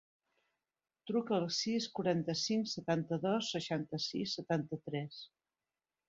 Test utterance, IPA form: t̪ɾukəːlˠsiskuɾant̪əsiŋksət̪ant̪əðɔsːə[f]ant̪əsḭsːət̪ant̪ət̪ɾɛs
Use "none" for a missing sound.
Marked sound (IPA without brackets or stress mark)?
ʃ